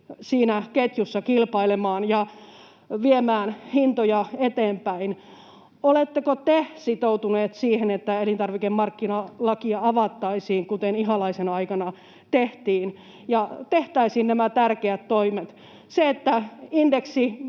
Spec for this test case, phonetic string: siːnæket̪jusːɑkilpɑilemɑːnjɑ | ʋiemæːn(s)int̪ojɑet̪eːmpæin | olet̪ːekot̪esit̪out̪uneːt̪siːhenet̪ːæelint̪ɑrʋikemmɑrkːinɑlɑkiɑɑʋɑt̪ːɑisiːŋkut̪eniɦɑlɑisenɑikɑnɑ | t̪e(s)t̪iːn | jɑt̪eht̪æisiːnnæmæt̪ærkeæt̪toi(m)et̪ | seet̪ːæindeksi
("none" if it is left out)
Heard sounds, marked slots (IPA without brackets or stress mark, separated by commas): h, h, m